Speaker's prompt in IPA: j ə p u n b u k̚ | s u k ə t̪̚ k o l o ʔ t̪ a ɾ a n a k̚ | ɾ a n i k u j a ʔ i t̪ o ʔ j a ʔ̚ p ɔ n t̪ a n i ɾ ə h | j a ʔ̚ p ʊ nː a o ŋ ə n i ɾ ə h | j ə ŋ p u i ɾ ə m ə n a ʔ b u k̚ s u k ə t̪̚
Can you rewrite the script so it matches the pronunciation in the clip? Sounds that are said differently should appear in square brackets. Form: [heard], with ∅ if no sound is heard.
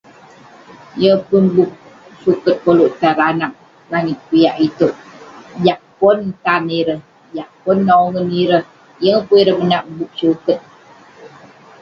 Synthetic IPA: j ə p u n b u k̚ | s u k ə t̪̚ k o l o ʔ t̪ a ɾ a n a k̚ | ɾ a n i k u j a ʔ i t̪ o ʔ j a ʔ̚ p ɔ n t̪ a n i ɾ ə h | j a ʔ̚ p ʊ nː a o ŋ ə n i ɾ ə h | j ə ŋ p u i ɾ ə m ə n a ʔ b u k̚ s u k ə t̪̚